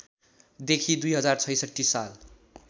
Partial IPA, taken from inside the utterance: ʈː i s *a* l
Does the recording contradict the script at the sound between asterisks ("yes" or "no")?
no